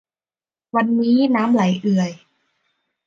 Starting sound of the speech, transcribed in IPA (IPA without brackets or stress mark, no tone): w